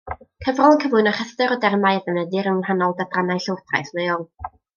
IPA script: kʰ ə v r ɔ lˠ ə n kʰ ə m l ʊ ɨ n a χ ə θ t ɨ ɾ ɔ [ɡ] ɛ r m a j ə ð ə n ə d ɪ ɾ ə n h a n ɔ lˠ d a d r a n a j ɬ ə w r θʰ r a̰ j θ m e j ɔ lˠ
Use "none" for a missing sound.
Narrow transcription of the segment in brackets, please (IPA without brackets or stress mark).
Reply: d